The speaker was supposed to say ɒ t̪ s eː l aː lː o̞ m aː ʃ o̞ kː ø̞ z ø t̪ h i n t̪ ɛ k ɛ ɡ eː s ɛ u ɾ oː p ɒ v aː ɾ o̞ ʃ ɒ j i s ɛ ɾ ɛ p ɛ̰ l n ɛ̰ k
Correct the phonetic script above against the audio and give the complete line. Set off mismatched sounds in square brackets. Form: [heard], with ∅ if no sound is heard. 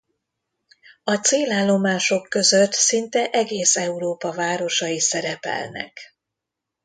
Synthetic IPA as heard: ɒ t̪ s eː l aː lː o̞ m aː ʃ o̞ kː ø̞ z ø t̪ [s] i n t̪ ɛ [ʔ] ɛ ɡ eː s ɛ u ɾ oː p ɒ v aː ɾ o̞ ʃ ɒ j i s ɛ ɾ ɛ p ɛ̰ l n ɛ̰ k